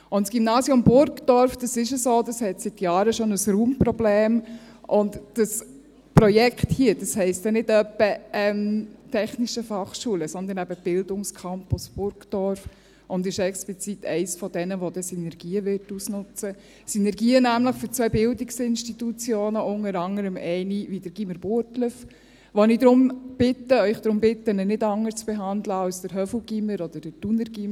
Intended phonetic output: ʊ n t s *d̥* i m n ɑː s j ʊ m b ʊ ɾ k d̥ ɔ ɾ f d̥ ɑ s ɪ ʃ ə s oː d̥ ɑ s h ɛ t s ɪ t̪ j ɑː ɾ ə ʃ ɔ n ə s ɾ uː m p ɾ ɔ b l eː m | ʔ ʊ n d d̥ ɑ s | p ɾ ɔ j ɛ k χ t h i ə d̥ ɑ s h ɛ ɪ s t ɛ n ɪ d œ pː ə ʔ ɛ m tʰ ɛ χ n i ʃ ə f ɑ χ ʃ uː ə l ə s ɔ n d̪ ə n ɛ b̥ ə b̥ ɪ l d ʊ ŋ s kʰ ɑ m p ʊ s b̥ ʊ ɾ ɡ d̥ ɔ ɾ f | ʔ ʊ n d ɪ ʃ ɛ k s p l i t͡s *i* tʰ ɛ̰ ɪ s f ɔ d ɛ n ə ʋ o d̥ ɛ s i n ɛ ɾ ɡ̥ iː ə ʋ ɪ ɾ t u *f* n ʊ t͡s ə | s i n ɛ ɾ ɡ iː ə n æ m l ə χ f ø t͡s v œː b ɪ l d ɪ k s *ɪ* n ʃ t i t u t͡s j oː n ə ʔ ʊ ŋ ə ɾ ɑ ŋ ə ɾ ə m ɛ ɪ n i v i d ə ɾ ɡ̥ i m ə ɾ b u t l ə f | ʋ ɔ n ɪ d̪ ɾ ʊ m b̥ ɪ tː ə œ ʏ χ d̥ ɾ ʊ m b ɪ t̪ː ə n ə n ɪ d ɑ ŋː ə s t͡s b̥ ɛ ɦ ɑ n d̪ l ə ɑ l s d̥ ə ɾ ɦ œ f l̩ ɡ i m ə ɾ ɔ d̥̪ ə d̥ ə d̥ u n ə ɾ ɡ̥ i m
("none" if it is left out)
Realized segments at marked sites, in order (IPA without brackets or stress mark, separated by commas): ɡ̥, i, s, ɪ